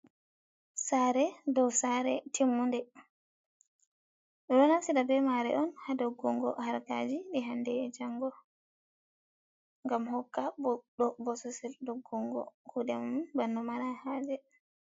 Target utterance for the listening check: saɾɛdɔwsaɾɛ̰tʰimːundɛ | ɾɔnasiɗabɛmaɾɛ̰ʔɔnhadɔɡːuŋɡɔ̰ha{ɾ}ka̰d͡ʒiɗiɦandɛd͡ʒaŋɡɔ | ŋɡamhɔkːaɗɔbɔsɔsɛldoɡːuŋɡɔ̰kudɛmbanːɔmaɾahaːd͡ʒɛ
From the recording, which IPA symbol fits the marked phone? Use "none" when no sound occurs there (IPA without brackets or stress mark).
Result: ɾ